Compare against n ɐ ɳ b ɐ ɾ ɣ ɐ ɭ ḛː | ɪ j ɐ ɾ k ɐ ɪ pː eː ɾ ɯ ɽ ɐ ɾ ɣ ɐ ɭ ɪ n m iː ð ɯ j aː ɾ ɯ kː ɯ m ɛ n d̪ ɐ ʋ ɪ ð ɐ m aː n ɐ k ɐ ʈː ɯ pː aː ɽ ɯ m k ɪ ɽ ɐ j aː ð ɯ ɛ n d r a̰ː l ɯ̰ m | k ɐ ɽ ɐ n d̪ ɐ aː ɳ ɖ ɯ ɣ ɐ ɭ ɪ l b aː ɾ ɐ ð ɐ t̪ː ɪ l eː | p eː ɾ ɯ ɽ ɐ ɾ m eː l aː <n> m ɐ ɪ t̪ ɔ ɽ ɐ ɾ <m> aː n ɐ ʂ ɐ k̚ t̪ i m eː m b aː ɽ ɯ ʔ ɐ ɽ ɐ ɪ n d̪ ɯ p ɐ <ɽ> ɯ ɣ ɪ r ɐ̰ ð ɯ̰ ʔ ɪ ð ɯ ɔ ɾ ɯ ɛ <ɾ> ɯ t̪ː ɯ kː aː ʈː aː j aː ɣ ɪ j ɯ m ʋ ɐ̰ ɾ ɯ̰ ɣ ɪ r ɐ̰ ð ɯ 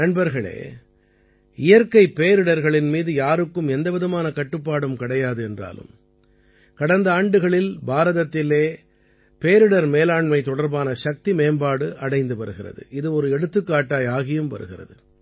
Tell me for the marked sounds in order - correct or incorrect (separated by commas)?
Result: incorrect, incorrect, incorrect, incorrect